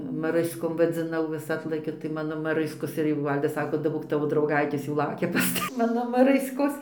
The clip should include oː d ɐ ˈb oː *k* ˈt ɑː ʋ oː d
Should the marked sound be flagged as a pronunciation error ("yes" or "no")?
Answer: no